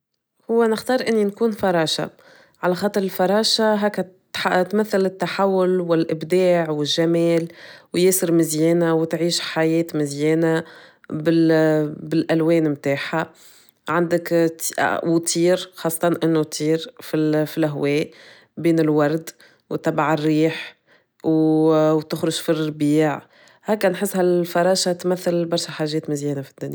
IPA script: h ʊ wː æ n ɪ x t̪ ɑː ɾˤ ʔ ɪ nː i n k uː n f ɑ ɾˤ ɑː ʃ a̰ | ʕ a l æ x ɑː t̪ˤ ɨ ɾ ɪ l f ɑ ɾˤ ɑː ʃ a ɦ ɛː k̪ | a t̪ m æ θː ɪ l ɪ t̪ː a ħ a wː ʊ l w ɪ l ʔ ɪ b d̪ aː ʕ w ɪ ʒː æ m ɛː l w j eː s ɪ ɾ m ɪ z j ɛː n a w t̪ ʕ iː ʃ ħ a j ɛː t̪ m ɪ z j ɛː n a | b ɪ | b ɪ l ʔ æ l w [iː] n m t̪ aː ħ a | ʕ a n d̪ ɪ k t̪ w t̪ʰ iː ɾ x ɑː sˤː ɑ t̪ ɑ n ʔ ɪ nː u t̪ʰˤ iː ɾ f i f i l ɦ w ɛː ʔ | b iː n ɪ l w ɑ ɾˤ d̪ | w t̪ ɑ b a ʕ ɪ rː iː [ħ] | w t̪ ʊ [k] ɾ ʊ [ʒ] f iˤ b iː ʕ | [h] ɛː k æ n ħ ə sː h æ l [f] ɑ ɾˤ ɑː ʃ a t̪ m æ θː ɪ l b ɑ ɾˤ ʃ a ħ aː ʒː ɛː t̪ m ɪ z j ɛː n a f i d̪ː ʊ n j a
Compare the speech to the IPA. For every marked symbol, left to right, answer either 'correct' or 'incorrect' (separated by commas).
incorrect, correct, incorrect, correct, correct, correct